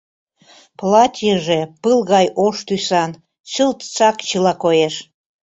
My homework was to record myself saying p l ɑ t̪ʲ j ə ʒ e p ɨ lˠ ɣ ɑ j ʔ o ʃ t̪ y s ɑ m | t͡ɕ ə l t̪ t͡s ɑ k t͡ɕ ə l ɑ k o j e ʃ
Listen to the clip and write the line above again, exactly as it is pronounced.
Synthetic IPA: p l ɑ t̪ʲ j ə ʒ e p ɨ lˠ ɣ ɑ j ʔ o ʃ t̪ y s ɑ n | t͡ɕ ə l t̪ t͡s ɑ k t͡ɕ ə l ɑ k o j e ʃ